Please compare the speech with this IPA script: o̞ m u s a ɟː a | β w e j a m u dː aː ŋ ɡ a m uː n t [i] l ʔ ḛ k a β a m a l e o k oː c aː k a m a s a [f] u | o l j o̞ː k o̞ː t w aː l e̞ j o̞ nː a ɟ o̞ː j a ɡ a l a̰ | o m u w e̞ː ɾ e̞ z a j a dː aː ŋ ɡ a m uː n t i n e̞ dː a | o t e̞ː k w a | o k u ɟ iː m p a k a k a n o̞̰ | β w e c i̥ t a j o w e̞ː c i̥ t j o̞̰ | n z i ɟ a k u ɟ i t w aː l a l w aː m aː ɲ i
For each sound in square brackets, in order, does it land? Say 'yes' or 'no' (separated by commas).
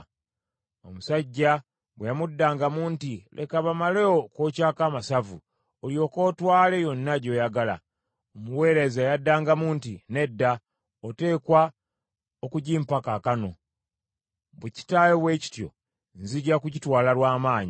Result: yes, no